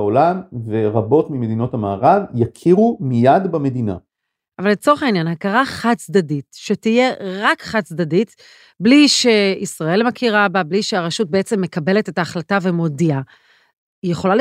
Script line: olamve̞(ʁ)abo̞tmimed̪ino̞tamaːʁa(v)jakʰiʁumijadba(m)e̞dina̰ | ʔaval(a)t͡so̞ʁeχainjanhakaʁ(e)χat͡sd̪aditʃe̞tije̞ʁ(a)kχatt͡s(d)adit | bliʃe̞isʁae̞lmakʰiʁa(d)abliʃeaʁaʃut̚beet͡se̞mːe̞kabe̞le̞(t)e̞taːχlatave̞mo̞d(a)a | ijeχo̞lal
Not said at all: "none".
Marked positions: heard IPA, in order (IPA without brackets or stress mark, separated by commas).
ʁ, v, m, e, a, a, d, b, t, i